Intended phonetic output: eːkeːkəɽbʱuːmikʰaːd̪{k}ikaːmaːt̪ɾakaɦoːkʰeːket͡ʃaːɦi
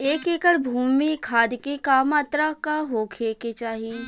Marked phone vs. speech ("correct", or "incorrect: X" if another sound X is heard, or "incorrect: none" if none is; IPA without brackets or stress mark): correct